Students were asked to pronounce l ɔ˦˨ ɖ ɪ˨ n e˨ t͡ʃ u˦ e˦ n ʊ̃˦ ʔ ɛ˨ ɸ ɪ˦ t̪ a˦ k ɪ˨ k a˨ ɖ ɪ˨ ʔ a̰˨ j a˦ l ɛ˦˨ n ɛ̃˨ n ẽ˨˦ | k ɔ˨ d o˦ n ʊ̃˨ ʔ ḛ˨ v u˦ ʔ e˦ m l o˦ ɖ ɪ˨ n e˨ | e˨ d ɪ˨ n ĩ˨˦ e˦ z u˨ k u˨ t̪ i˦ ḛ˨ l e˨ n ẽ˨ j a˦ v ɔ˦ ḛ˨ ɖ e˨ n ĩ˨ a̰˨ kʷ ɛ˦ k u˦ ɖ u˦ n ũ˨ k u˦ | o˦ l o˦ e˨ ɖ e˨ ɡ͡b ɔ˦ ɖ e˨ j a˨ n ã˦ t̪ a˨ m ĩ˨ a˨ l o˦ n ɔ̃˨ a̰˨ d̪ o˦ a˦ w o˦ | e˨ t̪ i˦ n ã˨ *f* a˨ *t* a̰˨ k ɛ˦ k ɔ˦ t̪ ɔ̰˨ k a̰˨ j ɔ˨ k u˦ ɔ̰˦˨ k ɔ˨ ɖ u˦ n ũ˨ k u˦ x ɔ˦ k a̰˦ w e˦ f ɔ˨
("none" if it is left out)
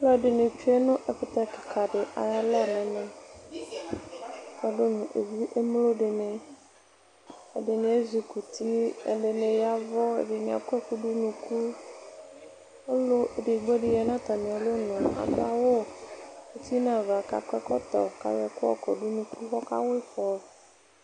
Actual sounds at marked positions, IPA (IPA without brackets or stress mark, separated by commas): v, k